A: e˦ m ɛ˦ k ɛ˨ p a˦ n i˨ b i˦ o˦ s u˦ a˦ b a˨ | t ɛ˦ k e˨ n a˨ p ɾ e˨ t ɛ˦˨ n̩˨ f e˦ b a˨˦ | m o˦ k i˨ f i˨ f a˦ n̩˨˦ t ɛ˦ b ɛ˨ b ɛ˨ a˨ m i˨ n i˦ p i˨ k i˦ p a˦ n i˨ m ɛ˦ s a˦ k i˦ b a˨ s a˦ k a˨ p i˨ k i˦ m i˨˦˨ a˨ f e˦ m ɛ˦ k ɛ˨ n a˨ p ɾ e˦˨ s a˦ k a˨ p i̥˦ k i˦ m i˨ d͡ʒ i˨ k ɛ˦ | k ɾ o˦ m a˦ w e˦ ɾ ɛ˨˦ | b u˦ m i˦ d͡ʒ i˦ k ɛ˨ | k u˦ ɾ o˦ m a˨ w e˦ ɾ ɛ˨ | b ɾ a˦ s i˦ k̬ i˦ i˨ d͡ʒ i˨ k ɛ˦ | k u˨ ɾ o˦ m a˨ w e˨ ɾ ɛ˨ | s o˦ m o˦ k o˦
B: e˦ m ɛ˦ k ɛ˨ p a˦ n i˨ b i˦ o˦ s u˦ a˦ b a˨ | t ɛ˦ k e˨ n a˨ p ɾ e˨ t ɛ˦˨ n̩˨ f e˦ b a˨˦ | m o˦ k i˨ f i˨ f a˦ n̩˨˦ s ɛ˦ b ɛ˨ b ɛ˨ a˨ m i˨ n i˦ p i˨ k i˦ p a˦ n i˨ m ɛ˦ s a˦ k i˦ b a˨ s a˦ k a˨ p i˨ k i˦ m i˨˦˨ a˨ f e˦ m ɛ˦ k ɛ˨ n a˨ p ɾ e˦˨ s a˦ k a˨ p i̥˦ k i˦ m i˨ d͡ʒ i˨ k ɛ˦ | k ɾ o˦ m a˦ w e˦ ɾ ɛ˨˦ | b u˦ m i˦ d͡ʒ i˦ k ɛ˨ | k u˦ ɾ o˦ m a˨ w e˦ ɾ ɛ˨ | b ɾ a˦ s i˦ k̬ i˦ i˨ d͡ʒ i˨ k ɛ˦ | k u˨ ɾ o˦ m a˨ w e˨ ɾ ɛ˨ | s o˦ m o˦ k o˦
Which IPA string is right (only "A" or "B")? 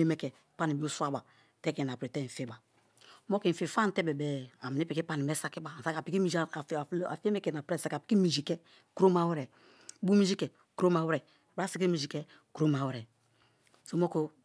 A